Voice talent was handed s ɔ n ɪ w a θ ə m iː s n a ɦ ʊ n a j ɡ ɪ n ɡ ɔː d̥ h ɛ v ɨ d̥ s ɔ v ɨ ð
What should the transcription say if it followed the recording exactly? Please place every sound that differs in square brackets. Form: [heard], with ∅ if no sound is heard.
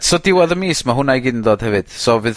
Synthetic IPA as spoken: s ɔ [d] ɪ w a [ð] ə m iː s [m] a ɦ ʊ n a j ɡ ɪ n [d] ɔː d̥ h ɛ v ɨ d̥ s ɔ v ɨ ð